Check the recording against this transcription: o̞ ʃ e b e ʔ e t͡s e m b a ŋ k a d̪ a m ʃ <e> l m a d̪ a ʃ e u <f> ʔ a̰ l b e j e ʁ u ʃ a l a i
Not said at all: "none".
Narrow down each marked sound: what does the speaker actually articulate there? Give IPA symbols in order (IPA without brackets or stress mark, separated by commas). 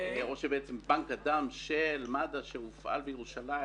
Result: e, f